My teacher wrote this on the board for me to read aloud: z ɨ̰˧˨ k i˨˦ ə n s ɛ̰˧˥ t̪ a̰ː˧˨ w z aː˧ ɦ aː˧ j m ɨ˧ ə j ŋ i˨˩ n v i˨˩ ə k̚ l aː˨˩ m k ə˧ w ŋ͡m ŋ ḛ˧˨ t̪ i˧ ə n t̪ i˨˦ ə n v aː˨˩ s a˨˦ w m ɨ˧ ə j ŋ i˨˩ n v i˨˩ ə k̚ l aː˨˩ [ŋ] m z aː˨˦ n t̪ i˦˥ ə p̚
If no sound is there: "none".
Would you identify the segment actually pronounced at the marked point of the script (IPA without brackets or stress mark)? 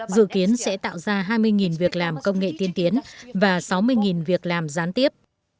none